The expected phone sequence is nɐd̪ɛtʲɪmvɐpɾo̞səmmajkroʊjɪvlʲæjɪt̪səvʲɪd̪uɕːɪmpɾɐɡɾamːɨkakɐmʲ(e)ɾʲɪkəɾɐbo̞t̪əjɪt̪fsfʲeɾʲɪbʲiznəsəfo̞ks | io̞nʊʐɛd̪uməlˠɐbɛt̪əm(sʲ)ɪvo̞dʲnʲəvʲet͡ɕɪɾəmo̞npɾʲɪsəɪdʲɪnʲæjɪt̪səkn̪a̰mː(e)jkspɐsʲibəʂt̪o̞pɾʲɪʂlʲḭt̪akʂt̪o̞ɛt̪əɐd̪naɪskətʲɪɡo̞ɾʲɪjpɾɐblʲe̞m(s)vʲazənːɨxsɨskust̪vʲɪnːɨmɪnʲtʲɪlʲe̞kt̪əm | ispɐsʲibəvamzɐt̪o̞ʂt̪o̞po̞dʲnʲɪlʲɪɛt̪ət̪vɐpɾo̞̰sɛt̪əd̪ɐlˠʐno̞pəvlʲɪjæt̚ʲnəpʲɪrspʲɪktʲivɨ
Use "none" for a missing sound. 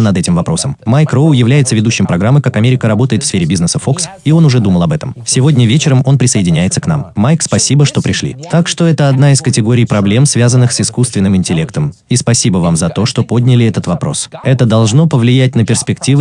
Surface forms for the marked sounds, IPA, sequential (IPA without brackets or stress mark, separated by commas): e, sʲ, a, s